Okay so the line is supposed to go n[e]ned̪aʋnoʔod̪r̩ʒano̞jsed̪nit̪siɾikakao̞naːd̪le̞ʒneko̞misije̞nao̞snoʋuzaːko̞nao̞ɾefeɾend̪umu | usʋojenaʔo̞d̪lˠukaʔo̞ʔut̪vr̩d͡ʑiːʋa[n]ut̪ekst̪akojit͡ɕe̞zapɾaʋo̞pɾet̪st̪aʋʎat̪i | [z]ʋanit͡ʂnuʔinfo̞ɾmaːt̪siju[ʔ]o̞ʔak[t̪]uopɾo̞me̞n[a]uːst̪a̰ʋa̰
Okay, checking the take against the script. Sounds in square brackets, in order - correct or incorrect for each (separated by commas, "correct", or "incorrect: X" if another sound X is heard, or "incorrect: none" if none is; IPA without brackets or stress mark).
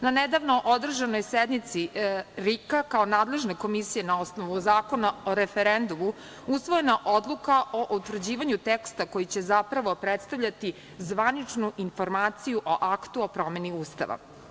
incorrect: a, incorrect: ɲ, correct, correct, correct, incorrect: i